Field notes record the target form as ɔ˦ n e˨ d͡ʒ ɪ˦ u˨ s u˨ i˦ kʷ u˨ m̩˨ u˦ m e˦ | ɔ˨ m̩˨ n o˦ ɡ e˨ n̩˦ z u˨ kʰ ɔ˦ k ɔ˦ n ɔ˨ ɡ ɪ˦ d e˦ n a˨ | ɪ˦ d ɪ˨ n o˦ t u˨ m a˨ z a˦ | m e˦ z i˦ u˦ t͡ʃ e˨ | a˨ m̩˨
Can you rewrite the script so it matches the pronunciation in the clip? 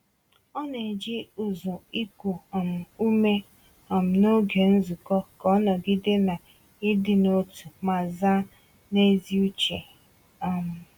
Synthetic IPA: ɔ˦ n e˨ d͡ʒ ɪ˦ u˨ z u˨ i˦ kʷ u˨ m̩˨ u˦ m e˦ | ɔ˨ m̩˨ n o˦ ɡ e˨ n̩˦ z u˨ k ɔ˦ k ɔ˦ n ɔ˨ ɡ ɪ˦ d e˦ n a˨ | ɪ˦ d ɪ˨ n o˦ t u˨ m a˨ z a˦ | n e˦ z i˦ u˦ t͡ʃ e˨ | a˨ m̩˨